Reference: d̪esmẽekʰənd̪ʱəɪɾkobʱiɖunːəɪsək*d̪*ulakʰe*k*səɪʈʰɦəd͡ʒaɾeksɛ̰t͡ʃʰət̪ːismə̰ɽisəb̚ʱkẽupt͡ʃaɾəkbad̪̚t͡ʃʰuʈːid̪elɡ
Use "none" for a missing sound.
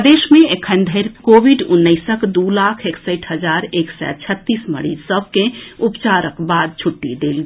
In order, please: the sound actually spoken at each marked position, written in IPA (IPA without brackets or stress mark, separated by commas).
d̪, k